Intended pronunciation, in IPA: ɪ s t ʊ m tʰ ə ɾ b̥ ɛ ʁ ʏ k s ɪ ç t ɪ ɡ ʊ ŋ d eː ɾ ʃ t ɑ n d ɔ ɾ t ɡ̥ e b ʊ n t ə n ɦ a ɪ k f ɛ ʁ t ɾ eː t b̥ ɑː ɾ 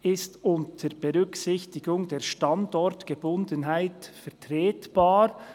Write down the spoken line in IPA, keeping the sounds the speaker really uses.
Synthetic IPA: ɪ s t ʊ n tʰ ə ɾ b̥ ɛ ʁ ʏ k s ɪ ç t ɪ ɡ ʊ ŋ d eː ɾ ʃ t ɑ n d ɔ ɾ t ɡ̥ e b ʊ n d ə n ɦ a ɪ t f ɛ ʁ t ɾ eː t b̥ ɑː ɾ